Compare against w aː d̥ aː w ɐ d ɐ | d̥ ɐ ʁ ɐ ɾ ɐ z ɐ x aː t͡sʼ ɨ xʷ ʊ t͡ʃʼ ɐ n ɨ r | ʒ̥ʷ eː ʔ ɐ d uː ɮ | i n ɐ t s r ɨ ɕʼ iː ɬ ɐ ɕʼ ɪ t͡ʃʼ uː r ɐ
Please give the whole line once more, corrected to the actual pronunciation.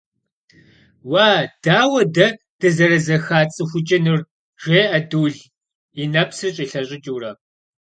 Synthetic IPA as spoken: w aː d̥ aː w ɐ d ɐ | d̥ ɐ z ɐ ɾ ɐ z ɐ x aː t͡sʼ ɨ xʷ ʊ t͡ʃʼ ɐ n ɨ r | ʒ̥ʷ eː ʔ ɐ d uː ɮ | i n ɐ p s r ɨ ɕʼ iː ɬ ɐ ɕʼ ɪ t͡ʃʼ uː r ɐ

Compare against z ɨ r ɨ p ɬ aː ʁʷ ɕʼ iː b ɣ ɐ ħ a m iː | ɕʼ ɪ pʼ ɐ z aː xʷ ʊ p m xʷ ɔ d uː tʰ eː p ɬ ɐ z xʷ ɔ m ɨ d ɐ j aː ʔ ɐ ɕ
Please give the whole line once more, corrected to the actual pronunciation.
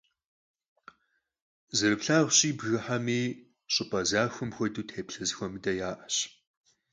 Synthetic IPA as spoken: z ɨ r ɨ p ɬ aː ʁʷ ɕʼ iː b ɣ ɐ ħ a m iː | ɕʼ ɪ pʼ ɐ z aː xʷ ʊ m xʷ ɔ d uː tʰ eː p ɬ ɐ z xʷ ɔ m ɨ d ɐ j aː ʔ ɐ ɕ

